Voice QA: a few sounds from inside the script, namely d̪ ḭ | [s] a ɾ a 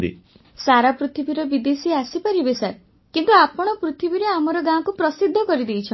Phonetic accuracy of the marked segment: correct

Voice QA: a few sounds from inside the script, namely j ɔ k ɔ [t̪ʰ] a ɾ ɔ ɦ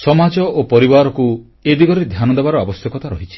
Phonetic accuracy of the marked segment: incorrect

